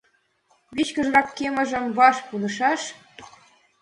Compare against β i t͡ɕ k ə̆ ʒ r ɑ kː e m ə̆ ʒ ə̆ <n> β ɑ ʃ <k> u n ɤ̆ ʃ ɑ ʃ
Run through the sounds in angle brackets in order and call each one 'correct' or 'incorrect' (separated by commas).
incorrect, incorrect